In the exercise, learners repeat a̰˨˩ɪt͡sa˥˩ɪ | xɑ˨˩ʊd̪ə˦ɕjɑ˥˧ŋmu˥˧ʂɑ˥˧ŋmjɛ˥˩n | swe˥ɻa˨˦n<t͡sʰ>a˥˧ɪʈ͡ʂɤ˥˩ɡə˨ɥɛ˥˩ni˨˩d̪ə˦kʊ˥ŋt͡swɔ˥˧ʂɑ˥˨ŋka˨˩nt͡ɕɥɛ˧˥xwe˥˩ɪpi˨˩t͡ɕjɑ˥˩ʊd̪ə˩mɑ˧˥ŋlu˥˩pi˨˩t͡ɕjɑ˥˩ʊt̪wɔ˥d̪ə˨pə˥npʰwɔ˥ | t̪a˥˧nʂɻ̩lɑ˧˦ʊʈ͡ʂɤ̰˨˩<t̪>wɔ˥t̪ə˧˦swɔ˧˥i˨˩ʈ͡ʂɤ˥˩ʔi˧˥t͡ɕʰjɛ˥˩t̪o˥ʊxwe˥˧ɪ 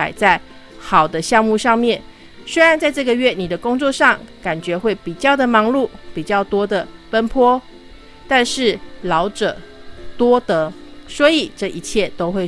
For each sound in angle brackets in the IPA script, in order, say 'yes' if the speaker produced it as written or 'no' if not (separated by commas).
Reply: no, yes